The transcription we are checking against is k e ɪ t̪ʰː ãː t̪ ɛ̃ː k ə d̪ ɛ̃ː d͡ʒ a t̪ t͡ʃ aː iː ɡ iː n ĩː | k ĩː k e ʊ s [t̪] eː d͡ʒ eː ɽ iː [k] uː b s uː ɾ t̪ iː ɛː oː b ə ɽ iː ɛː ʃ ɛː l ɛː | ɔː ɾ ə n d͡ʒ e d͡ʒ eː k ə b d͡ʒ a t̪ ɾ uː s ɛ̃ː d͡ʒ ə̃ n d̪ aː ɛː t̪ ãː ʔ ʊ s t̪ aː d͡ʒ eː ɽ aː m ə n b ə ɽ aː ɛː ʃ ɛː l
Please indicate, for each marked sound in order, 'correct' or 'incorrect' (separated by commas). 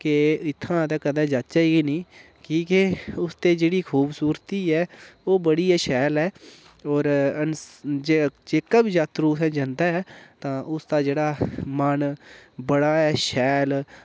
correct, incorrect